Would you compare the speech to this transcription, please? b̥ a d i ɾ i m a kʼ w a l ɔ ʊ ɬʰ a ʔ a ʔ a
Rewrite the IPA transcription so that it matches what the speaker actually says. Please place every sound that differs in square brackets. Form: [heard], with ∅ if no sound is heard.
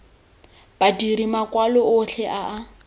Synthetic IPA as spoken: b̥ a d i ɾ i m a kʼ w a l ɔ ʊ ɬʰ [ɛ] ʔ a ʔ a